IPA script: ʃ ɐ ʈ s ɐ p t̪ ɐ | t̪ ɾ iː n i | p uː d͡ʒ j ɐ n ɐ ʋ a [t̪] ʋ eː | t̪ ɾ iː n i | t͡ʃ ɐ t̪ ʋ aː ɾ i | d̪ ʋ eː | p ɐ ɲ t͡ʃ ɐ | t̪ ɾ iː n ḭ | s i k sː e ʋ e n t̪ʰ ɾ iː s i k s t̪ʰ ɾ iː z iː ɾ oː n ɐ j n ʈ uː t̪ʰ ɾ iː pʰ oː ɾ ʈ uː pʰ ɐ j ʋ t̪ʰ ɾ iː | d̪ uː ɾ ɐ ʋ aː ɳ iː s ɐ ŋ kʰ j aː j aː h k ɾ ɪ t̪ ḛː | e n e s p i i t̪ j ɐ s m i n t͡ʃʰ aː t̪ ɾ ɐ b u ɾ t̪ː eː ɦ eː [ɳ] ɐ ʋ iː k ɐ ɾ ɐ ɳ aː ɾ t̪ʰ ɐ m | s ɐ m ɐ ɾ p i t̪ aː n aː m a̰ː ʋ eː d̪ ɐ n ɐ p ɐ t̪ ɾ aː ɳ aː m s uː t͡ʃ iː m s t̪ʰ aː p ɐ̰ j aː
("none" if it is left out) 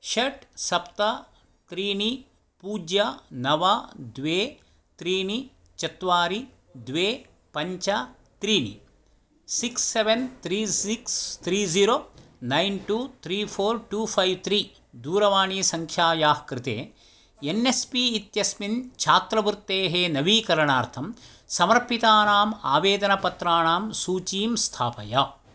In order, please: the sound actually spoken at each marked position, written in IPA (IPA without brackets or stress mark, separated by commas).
d̪, n